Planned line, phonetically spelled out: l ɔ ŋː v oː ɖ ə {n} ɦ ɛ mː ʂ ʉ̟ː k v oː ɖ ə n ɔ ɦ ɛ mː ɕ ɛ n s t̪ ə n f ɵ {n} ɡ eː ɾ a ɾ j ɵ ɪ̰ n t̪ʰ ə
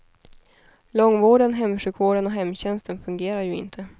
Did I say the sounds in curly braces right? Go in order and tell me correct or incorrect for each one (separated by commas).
correct, incorrect